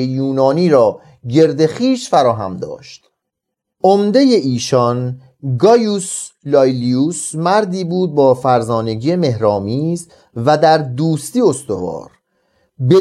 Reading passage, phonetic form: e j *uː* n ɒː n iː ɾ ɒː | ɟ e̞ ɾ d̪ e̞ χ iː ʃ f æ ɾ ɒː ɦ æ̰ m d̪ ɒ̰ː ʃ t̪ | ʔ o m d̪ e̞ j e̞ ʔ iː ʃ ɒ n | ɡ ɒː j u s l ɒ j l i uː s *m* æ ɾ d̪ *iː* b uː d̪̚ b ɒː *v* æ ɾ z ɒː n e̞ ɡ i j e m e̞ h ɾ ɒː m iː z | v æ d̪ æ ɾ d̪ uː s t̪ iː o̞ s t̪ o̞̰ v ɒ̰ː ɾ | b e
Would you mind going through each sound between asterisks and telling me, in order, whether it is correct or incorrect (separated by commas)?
correct, correct, correct, incorrect